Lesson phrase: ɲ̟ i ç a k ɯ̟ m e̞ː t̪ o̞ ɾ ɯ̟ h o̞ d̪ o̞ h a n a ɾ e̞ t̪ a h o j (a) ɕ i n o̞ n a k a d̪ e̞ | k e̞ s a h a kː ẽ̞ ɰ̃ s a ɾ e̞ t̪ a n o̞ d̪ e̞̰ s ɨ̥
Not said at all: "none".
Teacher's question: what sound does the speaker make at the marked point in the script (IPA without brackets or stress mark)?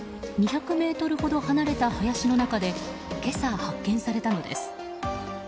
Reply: a